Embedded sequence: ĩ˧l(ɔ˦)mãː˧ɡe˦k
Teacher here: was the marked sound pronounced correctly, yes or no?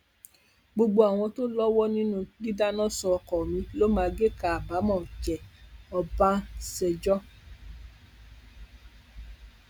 no